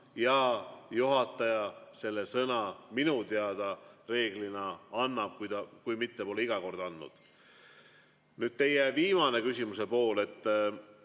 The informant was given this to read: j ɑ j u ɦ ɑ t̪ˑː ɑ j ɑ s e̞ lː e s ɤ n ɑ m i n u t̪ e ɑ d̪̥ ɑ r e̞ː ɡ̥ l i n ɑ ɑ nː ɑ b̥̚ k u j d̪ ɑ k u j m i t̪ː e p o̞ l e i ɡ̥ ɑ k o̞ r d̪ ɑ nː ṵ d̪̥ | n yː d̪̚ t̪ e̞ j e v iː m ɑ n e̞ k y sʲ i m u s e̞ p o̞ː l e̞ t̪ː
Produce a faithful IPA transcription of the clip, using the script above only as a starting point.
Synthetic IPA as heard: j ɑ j u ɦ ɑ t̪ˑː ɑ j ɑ s e̞ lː e s ɤ n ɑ m i n u t̪ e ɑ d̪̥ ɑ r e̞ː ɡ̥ l i n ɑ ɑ nː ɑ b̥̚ k u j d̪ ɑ k u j m i t̪ː e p o̞ l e i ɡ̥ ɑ k o̞ r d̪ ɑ nː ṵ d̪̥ | n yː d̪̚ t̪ e̞ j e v iː m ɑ n e̞ k y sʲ i m u s e̞ p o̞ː l e̞ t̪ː